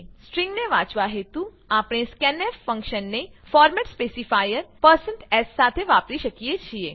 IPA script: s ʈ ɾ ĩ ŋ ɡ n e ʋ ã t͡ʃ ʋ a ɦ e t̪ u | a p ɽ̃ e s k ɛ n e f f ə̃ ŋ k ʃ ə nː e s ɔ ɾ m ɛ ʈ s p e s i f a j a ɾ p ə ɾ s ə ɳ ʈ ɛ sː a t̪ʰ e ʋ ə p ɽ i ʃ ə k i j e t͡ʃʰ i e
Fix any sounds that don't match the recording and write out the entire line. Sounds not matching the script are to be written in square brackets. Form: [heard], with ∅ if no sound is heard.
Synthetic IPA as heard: s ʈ ɾ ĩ ŋ ɡ n e ʋ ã t͡ʃ ʋ a ɦ e t̪ u | a p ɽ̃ e s k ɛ n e f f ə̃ ŋ k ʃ ə nː e [f] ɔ ɾ m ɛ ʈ s p e s i f a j [ə] ɾ p ə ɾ s ə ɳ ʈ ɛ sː a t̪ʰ e ʋ [a] p [ɾ] i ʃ ə k i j e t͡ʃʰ i e